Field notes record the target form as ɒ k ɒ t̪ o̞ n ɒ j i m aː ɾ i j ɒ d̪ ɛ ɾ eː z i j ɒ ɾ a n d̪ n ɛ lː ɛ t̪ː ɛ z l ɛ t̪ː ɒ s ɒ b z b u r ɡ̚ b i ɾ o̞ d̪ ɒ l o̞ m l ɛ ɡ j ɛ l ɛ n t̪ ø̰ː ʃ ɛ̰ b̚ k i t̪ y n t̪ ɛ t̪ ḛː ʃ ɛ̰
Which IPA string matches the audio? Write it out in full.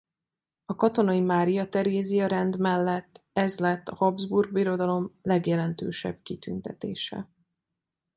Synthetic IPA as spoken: ɒ k ɒ t̪ o̞ n ɒ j i m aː ɾ i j ɒ t̪ ɛ ɾ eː z i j ɒ ɾ ɛ n d̪ m ɛ lː ɛ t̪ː ɛ z l ɛ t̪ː ɒ h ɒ b z b u r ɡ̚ b i ɾ o̞ d̪ ɒ l o̞ m l ɛ ɡ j ɛ l ɛ n t̪ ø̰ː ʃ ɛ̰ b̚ k i t̪ y n t̪ ɛ t̪ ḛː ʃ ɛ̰